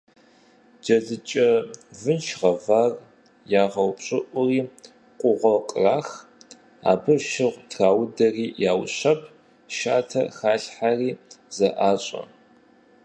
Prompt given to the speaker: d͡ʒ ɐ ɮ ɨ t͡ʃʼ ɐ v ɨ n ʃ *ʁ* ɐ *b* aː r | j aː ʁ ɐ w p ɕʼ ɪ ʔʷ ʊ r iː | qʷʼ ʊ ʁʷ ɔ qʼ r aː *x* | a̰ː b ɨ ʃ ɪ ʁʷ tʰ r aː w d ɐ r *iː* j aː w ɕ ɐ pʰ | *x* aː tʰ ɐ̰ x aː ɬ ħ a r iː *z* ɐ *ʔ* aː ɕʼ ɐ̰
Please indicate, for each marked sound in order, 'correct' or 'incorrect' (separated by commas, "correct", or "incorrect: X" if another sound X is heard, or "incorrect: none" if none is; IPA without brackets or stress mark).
correct, incorrect: v, correct, correct, incorrect: ʃ, correct, correct